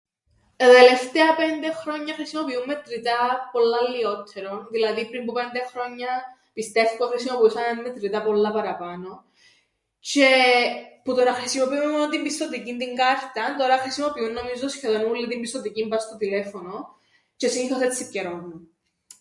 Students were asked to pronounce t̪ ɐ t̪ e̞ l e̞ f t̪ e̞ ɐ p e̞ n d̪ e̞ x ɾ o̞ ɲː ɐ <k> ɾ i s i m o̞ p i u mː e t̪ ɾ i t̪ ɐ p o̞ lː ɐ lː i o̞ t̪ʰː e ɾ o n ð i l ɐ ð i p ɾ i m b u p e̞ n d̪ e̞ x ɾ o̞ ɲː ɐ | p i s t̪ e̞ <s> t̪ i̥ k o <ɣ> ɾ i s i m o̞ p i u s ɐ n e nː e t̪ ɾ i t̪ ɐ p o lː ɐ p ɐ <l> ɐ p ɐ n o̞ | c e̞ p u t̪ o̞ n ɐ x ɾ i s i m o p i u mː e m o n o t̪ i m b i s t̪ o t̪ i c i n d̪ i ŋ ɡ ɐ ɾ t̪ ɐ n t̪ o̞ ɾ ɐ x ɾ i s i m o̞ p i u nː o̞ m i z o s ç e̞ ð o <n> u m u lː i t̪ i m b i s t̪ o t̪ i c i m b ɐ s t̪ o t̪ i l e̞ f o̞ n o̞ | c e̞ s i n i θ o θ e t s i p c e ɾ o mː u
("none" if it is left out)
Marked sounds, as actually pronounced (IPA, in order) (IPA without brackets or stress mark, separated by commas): x, f, x, ɾ, n